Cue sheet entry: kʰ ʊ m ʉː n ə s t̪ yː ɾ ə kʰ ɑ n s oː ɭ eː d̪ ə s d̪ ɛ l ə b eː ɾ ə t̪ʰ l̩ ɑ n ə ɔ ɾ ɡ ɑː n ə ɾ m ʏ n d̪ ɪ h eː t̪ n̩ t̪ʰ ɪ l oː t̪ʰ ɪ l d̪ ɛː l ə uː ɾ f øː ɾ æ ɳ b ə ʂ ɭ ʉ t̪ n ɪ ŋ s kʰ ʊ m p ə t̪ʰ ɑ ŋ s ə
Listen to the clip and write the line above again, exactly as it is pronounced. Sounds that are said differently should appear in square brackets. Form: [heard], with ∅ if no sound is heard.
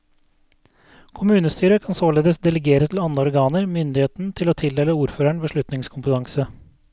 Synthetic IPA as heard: kʰ ʊ m ʉː n ə s t̪ yː ɾ ə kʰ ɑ n s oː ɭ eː d̪ ə s d̪ ɛ l ə [ɡ] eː ɾ ə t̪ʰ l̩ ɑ n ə ɔ ɾ ɡ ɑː n ə ɾ m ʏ n d̪ ɪ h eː t̪ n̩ t̪ʰ ɪ l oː t̪ʰ ɪ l d̪ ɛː l ə uː ɾ f øː ɾ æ ɳ b ə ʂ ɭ ʉ t̪ n ɪ ŋ s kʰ ʊ m p ə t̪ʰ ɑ ŋ s ə